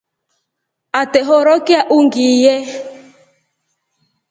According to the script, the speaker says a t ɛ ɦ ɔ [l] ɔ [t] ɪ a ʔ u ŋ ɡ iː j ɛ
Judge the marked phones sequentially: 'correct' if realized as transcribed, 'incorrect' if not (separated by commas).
incorrect, incorrect